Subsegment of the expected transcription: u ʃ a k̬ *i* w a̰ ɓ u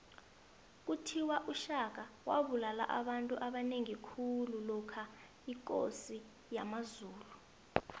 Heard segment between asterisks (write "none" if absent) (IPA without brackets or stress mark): a